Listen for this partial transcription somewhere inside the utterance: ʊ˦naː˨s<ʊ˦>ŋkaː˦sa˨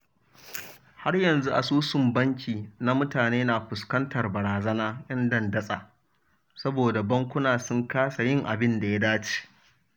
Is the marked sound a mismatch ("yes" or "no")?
no